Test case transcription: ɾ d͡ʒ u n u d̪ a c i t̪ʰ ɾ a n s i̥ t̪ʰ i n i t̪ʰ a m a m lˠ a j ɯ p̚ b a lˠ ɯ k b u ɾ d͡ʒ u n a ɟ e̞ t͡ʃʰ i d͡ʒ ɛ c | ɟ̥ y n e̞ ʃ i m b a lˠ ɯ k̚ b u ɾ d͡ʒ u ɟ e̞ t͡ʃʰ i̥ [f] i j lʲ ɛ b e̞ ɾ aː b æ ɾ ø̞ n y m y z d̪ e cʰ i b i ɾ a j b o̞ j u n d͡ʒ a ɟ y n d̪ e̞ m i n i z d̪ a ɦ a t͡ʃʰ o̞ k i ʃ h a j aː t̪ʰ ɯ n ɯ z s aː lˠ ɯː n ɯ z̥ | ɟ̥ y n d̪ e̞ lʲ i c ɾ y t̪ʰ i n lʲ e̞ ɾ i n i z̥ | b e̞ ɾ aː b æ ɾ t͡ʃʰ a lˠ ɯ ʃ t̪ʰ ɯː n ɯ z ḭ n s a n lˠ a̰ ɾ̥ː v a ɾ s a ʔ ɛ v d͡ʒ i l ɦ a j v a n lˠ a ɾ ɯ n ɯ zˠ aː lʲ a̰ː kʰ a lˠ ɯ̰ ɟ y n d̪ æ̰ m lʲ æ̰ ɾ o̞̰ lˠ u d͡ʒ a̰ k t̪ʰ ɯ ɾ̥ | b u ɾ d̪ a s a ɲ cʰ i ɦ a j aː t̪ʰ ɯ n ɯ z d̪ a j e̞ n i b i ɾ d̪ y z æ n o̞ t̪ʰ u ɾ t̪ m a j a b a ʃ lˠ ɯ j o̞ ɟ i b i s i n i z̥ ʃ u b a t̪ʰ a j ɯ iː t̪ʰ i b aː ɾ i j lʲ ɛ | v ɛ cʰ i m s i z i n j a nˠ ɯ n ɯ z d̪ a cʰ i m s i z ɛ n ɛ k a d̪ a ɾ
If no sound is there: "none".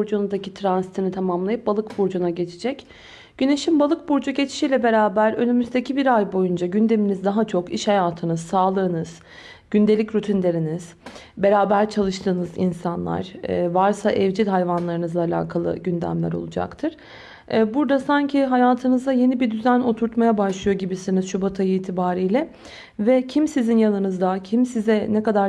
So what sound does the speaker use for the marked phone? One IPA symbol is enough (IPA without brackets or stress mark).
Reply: ʃ